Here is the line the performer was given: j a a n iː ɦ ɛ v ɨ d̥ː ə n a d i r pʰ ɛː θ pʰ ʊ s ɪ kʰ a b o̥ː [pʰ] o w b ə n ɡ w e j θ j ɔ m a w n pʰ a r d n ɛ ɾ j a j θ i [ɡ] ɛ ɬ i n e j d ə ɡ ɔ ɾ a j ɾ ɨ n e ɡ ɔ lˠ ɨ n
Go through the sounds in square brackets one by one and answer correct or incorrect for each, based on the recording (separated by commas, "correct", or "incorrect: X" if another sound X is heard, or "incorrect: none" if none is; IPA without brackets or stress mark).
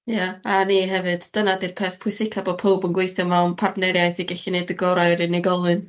correct, correct